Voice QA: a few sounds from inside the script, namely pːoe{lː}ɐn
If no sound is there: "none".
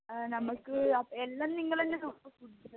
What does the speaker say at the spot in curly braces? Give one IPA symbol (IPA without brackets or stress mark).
lː